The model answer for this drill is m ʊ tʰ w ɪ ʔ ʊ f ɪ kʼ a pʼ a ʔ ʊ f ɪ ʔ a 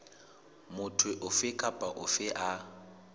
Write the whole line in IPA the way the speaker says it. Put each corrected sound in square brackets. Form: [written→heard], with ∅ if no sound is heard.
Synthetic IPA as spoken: m ʊ tʰ w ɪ ʔ ʊ f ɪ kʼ a pʼ a ʔ ʊ f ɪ ʔ a